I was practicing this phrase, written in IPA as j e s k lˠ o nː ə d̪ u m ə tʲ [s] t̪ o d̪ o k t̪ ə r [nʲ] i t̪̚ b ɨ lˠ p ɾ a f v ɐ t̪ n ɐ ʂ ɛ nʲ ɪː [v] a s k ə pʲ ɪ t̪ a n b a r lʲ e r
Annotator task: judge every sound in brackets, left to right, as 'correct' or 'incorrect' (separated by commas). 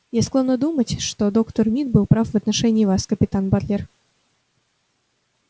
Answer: incorrect, incorrect, correct